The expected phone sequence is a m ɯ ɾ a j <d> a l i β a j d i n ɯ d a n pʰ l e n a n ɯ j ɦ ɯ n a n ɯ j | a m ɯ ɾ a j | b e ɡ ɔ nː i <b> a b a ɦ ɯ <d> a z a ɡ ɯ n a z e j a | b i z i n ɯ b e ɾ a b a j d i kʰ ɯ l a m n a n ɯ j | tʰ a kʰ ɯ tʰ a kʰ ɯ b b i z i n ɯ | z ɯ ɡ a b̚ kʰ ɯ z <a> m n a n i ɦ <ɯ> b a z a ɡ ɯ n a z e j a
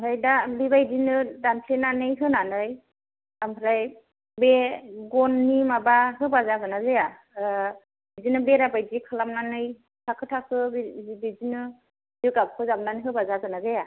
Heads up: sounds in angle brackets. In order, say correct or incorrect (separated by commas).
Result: correct, incorrect, incorrect, correct, correct